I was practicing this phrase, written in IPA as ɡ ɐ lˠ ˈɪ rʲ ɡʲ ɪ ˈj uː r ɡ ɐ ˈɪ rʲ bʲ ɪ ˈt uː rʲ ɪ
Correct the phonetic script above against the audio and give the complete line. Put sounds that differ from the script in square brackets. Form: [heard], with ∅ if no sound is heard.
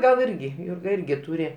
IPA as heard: ɡ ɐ lˠ ˈɪ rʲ ɡʲ ɪ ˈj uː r ɡ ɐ ˈɪ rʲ [ɡʲ] ɪ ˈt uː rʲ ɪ